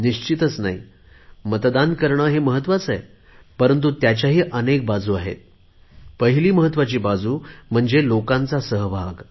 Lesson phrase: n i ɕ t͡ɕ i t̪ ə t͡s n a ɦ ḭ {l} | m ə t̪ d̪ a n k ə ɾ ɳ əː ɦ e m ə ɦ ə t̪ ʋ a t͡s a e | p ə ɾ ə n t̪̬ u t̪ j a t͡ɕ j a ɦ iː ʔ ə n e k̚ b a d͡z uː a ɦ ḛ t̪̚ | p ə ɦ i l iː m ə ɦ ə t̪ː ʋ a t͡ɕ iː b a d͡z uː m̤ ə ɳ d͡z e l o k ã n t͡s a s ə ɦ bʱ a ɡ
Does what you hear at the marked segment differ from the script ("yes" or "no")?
yes